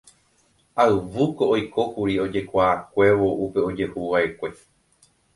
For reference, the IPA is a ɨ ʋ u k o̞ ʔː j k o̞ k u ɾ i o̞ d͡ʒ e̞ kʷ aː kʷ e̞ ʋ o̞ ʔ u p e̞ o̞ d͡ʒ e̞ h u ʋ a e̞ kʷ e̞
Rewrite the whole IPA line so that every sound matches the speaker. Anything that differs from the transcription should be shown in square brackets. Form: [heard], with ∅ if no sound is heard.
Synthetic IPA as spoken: a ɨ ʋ u k o̞ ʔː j k o̞ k u ɾ i o̞ d͡ʒ e̞ kʷ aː kʷ e̞ ʋ o̞ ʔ u p e̞ o̞ d͡ʒ e̞ h u ʋ a e̞ kʷ e̞